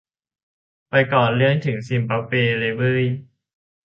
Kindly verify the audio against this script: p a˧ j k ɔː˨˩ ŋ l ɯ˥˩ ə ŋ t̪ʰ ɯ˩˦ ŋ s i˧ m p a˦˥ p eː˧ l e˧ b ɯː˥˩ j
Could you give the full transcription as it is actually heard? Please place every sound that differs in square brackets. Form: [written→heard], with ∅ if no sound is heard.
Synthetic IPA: p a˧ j k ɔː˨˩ [ŋ→n] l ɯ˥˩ ə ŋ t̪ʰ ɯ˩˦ ŋ s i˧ m p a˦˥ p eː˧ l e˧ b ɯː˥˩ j